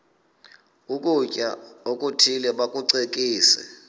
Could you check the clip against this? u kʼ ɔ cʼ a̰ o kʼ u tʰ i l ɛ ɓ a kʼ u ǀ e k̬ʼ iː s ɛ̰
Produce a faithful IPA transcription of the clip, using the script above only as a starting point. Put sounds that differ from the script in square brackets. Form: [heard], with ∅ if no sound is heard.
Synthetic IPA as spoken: u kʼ [u] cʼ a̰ o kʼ u tʰ i l ɛ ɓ a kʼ u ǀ e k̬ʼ iː s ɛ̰